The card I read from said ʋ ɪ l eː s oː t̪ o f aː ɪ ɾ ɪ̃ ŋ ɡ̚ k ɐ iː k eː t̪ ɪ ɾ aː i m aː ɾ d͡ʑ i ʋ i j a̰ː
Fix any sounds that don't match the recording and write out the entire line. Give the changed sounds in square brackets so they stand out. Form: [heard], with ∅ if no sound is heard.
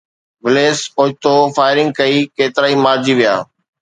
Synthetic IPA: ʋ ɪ l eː s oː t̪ o f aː ɪ ɾ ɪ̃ ŋ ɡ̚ k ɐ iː k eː t̪ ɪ ɾ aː i m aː ɾ d͡ʑ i ʋ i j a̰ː